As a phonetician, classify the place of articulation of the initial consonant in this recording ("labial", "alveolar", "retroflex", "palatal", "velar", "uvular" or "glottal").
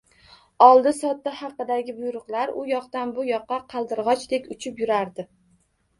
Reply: alveolar